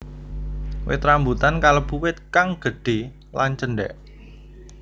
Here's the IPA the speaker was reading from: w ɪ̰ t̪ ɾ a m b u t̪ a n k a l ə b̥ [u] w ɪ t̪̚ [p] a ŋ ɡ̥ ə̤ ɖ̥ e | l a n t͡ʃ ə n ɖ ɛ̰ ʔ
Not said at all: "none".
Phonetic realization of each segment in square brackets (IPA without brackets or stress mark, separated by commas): u, k